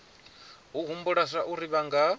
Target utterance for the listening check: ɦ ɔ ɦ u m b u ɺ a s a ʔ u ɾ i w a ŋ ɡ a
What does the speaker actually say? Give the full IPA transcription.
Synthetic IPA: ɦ u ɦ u m b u ɺ a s a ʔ u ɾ i β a ŋ ɡ a